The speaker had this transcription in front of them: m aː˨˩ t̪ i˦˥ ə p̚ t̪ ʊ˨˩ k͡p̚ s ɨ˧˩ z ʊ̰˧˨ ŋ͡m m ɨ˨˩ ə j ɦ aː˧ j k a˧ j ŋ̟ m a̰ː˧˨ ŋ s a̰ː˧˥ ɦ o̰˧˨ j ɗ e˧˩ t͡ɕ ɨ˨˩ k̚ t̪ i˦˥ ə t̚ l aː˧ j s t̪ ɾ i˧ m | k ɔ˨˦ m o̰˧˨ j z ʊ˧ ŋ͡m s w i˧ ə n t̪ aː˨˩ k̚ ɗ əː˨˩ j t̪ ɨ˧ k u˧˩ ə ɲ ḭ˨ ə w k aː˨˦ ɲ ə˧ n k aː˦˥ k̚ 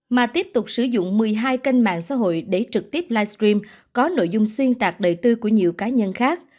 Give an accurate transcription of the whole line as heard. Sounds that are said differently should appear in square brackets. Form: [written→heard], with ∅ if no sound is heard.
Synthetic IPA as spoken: m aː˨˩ t̪ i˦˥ ə p̚ t̪ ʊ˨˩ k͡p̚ s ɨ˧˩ z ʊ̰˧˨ ŋ͡m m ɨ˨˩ ə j ɦ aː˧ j k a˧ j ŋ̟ m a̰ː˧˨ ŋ s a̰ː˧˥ ɦ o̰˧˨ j ɗ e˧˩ t͡ɕ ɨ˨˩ k̚ t̪ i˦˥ ə [t̚→p̚] l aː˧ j s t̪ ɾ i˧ m | k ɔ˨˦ [m→n] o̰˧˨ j z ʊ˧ ŋ͡m s w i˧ ə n t̪ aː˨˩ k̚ ɗ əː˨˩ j t̪ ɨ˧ k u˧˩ ə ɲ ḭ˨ ə w k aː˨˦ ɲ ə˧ n [k→x] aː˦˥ k̚